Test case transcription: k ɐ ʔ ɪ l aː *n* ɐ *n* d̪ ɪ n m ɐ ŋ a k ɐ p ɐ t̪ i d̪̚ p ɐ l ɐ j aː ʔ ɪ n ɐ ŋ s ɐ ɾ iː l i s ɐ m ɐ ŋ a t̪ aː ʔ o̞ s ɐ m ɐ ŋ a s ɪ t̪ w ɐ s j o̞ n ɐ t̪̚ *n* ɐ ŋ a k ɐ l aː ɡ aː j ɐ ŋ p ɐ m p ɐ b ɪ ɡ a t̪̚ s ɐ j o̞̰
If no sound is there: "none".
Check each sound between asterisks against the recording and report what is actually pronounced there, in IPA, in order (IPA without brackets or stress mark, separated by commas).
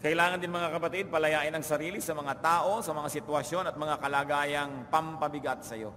ŋ, n, m